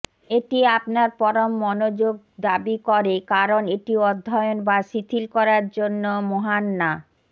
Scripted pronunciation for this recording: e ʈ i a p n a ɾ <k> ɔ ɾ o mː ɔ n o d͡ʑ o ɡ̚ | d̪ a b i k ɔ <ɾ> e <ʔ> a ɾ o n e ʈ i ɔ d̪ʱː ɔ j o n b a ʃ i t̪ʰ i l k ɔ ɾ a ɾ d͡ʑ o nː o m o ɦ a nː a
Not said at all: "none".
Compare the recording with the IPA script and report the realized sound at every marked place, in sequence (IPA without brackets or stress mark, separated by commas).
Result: p, ɾ, k